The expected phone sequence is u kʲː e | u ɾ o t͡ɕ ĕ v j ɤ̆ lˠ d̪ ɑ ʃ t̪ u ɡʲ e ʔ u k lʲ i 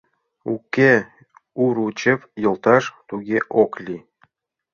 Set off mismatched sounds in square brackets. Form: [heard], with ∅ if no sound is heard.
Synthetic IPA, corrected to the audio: u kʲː e | u ɾ [u] t͡ɕ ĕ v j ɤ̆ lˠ [t̪] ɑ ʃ t̪ u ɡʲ e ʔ [o] k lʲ i